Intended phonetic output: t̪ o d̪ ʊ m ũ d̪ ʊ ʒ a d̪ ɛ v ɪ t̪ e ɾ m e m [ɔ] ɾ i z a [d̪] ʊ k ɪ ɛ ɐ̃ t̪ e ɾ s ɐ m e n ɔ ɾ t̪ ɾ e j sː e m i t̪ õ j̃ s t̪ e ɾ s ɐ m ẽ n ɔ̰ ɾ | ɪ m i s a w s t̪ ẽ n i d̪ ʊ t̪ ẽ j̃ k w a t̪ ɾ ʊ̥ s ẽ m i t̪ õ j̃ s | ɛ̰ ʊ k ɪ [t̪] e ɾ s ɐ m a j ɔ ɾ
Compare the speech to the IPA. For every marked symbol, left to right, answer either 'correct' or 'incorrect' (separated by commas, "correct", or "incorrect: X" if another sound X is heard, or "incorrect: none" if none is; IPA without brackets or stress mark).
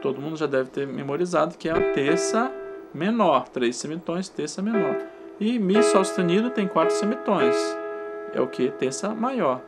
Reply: incorrect: o, correct, correct